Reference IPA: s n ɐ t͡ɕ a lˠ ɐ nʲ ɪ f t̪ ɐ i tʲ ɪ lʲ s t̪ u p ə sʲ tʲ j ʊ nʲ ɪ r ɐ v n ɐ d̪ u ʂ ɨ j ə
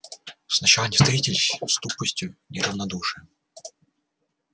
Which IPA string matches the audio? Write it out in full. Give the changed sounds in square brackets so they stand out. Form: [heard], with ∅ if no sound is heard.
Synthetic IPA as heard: s n ɐ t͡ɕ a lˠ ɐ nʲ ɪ [s] t̪ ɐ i tʲ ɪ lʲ s t̪ u p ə sʲ tʲ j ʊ nʲ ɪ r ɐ v n ɐ d̪ u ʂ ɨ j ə